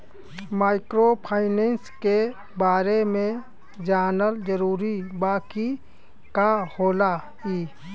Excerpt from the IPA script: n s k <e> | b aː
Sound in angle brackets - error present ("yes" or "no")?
no